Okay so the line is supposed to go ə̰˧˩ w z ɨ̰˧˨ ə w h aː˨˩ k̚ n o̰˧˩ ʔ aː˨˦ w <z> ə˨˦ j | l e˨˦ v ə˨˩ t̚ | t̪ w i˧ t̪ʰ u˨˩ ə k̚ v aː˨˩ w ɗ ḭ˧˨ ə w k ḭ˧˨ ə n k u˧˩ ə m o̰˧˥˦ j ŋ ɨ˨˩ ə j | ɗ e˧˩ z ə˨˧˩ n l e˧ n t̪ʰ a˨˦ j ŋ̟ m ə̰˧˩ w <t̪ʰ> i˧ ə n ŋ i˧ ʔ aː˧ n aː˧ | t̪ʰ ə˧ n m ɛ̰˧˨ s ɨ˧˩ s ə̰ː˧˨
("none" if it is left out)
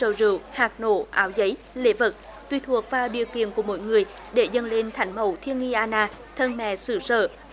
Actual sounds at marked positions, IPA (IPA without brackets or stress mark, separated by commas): z, t̪ʰ